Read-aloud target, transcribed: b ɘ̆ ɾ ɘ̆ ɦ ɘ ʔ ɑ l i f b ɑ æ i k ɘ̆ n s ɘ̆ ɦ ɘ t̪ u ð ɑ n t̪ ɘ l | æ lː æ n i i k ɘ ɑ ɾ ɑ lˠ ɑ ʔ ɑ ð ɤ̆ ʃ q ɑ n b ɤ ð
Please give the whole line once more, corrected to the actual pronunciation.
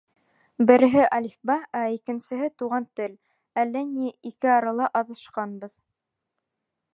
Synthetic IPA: b ɘ̆ ɾ ɘ̆ ɦ ɘ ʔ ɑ l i f b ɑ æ i k ɘ̆ n s ɘ̆ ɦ ɘ t̪ u ʁ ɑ n t̪ ɘ l | æ lː æ n i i k ɘ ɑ ɾ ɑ lˠ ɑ ʔ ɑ ð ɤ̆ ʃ q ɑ n b ɤ ð

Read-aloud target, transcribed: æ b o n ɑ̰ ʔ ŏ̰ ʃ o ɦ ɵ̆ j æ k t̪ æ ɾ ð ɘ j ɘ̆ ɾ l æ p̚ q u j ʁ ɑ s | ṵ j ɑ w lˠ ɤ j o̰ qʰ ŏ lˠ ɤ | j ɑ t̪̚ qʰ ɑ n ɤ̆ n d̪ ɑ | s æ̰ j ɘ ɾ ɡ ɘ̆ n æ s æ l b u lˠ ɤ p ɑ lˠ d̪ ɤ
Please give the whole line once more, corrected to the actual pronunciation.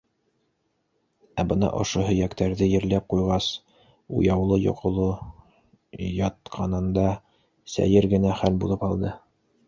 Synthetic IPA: æ b ɤ n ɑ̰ ʔ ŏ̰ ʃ o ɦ ɵ̆ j æ k t̪ æ ɾ ð ɘ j ɘ̆ ɾ l æ p̚ q u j ʁ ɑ s | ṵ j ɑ w lˠ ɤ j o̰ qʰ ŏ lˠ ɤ | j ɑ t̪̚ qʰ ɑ n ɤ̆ n d̪ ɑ | s æ̰ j ɘ ɾ ɡ ɘ̆ n æ χ æ l b u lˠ ɤ p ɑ lˠ d̪ ɤ

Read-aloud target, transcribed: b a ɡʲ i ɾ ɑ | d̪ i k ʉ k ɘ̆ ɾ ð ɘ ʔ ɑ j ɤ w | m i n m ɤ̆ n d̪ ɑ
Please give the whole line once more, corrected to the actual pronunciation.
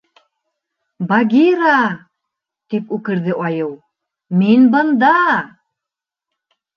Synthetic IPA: b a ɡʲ i ɾ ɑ | t̪ i p ʉ k ɘ̆ ɾ ð ɘ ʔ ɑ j ɤ w | m i n b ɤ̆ n d̪ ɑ

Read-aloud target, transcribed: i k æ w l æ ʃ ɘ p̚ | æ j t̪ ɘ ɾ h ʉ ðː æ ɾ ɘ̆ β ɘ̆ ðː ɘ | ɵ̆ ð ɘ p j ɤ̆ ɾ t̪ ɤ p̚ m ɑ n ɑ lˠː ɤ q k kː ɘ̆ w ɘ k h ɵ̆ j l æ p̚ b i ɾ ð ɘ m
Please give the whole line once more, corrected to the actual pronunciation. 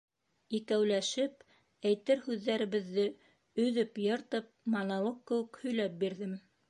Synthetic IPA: i k æ w l æ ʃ ɘ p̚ | æ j t̪ ɘ ɾ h ʉ ðː æ ɾ ɘ̆ β ɘ̆ ðː ɘ | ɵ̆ ð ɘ p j ɤ̆ ɾ t̪ ɤ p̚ m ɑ n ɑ lˠ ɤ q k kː ɘ̆ w ɘ k h ɵ̆ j l æ p̚ b i ɾ ð ɘ m

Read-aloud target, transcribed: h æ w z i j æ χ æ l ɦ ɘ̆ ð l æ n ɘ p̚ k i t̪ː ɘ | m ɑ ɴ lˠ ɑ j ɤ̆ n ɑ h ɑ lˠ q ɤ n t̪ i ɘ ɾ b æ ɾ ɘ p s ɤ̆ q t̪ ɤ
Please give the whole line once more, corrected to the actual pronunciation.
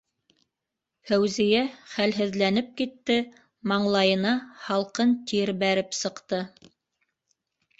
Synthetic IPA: h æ w z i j æ χ æ l ɦ ɘ̆ ð l æ n ɘ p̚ k i t̪ː ɘ | m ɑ ɴ lˠ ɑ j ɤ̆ n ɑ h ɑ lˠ q ɤ n t̪ i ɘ ɾ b æ ɾ ɘ p s ɤ̆ q t̪ ɤ

